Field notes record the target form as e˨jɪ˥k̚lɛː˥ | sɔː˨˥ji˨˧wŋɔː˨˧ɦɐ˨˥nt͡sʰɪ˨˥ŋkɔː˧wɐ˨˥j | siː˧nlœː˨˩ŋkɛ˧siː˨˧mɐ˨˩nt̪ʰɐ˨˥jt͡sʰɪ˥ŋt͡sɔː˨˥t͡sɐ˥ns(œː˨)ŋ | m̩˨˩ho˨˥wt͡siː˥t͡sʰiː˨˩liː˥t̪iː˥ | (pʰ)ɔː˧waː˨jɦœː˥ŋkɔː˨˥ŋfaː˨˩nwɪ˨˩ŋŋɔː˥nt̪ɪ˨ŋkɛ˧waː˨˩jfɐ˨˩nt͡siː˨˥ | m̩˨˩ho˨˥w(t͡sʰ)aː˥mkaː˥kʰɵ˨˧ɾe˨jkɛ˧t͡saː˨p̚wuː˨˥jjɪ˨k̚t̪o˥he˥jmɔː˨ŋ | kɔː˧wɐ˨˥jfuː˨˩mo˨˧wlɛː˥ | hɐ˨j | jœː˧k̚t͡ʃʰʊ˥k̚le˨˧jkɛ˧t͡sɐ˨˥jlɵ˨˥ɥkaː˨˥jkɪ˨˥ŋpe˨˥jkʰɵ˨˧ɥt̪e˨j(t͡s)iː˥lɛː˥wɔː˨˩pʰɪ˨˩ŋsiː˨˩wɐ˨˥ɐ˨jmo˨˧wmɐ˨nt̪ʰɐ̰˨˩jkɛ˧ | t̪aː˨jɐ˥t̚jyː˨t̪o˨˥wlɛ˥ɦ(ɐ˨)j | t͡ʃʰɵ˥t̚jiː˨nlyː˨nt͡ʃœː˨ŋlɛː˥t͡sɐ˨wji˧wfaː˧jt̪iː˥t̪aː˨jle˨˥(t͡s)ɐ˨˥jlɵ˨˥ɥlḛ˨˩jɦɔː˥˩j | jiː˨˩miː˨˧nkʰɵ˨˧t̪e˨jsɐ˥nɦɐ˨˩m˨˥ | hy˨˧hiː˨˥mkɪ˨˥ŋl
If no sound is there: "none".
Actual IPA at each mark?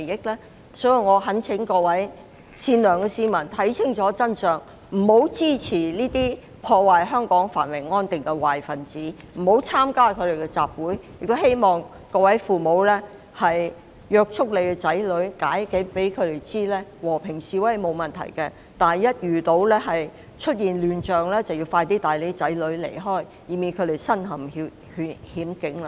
œː˨, pʰ, t͡sʰ, t͡s, ɐ˨, t͡s

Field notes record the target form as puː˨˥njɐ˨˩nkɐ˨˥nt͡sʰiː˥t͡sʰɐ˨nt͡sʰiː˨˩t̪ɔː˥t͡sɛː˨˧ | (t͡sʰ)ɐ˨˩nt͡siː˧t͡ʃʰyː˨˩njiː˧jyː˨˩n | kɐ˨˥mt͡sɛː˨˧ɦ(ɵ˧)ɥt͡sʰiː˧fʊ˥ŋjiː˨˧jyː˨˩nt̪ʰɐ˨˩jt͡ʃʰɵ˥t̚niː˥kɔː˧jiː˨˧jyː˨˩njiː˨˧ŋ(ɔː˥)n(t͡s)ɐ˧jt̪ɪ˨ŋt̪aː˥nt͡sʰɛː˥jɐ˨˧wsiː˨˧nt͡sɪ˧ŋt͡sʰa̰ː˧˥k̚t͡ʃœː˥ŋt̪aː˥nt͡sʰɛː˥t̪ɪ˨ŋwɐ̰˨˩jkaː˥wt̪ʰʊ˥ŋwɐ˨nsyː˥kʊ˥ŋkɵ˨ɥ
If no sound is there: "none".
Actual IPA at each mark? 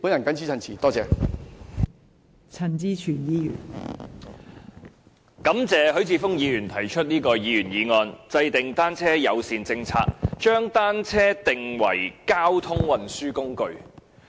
t͡sʰ, ɵ˨˥, ɔː˧, t͡s

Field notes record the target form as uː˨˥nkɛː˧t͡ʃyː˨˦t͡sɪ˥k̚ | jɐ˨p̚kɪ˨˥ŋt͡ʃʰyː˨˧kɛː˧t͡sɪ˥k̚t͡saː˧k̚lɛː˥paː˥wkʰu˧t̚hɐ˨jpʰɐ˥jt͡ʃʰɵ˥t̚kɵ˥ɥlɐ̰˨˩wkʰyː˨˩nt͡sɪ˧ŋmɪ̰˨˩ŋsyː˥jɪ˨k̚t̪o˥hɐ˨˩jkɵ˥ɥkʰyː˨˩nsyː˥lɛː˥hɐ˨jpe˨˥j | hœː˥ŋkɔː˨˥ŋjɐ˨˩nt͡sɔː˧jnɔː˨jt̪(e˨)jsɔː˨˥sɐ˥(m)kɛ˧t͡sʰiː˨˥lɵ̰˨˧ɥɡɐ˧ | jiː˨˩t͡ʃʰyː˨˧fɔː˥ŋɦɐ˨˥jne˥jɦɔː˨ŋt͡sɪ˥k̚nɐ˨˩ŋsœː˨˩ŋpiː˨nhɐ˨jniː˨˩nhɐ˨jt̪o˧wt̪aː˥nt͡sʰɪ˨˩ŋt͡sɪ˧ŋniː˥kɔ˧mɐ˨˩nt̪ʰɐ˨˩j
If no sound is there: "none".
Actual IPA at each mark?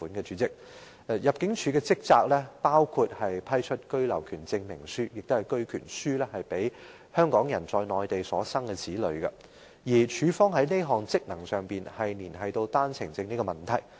e˨, ŋ

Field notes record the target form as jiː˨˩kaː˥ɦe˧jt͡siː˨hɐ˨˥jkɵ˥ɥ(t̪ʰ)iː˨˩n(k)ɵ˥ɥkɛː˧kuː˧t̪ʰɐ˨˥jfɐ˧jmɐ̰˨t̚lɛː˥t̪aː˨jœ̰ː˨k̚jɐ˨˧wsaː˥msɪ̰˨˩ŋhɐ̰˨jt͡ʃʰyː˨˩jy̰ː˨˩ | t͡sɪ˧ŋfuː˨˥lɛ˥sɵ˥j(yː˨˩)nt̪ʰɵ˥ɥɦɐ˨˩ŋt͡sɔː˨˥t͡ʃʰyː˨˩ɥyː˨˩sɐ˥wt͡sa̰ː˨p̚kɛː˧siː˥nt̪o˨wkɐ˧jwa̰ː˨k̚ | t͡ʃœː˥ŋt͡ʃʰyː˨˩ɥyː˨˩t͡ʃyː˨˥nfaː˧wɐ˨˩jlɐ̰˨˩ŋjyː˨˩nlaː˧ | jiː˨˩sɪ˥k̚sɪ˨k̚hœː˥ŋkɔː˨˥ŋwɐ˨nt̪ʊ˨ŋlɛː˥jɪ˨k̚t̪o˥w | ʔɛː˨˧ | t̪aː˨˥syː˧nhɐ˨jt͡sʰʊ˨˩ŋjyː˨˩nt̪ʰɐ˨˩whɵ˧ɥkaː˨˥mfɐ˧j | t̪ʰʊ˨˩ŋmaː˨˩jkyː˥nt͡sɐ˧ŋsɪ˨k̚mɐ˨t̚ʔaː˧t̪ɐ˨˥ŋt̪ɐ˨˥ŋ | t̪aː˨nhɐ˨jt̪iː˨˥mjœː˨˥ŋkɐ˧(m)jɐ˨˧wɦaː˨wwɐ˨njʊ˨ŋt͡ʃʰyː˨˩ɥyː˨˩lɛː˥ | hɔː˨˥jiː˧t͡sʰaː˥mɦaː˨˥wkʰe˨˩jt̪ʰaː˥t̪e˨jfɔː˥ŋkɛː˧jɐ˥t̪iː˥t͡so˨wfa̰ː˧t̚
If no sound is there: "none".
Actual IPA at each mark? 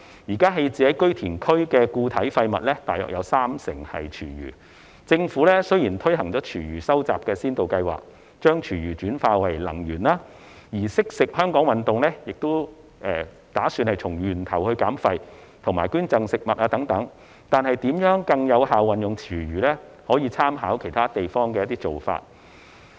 t̪ʰ, kʰ, iː˨˩, ŋ

